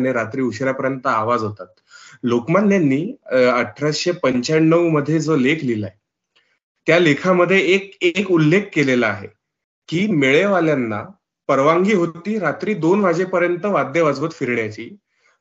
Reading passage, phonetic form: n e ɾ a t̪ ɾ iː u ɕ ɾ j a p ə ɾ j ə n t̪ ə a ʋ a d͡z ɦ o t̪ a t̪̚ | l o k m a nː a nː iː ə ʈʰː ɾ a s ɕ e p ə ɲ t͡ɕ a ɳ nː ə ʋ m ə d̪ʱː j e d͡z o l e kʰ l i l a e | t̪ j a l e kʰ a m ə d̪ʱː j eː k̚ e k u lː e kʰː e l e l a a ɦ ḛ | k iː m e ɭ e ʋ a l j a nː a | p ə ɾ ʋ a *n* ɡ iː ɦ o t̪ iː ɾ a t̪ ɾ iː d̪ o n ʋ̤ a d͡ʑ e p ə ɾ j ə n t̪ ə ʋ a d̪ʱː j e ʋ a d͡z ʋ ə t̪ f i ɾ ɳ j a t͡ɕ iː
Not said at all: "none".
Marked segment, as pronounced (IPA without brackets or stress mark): ŋ